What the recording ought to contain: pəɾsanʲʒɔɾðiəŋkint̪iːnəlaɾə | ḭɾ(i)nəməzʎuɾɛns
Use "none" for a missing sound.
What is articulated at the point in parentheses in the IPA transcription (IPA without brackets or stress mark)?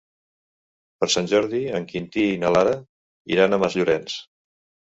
a